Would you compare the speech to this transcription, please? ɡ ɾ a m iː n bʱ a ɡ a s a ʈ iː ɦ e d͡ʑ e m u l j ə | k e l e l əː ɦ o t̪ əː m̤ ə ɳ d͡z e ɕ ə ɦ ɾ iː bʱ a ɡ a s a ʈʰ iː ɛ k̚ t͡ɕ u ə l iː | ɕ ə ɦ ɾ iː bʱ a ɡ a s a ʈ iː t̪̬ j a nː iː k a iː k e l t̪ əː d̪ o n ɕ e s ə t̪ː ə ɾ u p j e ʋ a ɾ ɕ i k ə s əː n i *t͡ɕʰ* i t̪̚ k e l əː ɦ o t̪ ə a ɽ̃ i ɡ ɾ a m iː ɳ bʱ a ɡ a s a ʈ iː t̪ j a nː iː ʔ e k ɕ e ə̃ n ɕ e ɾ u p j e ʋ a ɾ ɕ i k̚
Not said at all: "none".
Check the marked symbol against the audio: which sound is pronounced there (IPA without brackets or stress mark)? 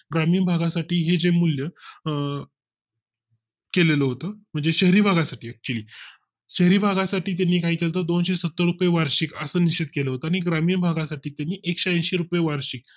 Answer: t͡ɕ